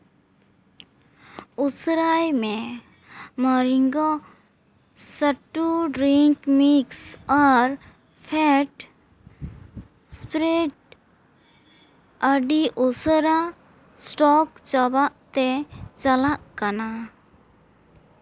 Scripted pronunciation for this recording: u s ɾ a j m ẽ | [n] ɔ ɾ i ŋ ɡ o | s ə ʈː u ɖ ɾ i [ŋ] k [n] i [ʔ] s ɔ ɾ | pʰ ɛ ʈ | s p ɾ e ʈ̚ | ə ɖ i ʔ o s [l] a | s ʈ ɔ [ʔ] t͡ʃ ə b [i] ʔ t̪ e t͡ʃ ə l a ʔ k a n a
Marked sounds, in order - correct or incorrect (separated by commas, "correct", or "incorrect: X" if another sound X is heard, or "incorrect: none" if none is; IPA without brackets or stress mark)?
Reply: incorrect: m, correct, incorrect: m, incorrect: k, incorrect: ɾ, incorrect: k, incorrect: a